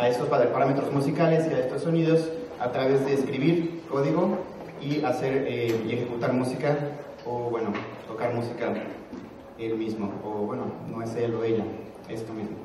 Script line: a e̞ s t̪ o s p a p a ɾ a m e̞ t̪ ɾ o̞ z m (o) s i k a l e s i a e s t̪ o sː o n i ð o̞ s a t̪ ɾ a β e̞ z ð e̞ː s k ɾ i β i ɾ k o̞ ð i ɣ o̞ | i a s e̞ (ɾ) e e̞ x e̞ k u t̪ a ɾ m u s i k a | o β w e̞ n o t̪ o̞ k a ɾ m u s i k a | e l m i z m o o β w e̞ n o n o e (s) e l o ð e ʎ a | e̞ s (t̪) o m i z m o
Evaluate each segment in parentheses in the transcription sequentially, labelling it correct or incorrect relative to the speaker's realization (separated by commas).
incorrect, correct, correct, correct